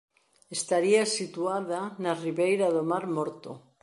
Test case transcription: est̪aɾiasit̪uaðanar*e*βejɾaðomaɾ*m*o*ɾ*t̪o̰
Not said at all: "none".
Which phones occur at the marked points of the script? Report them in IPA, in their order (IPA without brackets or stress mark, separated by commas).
i, m, ɾ